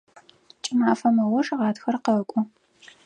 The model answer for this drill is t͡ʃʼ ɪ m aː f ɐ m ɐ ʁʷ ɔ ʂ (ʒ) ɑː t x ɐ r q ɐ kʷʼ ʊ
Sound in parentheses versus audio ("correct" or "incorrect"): incorrect